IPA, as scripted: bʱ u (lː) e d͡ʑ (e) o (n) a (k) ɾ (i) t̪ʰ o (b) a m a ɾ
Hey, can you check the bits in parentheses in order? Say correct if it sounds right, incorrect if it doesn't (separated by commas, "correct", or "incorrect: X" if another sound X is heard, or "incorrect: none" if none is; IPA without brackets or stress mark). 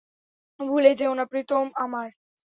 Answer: incorrect: l, correct, correct, incorrect: p, correct, incorrect: m